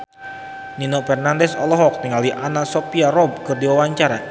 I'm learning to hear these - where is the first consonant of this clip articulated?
tongue tip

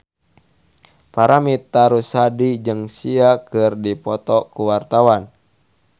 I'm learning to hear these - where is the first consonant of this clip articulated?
lips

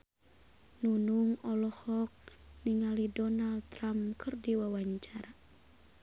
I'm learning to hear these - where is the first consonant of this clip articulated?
tongue tip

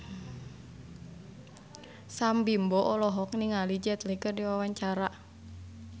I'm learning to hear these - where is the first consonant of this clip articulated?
tongue tip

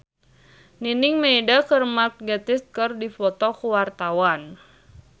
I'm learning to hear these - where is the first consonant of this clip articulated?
tongue tip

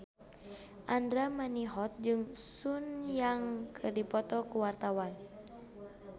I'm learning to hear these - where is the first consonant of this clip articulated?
throat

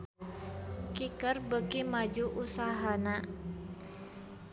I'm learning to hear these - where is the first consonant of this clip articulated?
velum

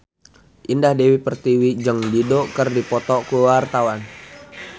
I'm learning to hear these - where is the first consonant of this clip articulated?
throat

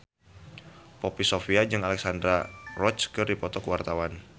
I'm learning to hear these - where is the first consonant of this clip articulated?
lips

